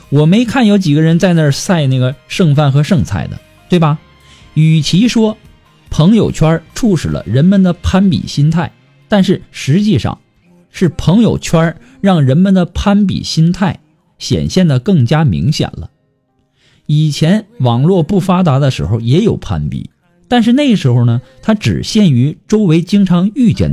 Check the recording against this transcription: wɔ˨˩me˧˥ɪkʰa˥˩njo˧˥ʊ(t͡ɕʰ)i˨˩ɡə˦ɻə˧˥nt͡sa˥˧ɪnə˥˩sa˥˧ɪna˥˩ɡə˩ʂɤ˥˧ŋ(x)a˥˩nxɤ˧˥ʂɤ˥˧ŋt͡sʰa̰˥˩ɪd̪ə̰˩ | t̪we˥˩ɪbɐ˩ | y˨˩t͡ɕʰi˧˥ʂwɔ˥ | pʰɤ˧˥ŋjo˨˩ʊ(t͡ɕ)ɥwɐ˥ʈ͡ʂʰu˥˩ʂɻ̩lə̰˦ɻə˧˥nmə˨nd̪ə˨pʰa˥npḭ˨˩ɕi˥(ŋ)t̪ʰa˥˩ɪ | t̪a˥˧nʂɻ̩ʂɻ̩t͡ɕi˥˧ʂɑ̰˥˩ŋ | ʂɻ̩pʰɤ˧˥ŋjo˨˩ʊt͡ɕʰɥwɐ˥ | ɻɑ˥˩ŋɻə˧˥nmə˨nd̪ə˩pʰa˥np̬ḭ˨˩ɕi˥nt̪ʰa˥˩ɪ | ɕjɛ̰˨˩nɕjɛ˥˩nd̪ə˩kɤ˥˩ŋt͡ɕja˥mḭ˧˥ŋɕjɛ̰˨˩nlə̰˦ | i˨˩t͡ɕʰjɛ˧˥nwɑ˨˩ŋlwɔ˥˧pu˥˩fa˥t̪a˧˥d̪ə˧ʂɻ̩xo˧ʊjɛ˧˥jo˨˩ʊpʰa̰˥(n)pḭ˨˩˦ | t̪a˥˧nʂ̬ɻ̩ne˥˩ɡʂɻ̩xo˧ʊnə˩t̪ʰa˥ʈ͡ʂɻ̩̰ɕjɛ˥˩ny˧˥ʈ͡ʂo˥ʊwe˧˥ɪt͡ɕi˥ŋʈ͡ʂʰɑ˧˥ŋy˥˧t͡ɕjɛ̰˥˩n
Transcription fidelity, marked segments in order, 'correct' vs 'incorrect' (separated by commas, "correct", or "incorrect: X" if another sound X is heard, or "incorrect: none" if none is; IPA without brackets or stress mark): incorrect: t͡ɕ, incorrect: f, incorrect: t͡ɕʰ, incorrect: n, correct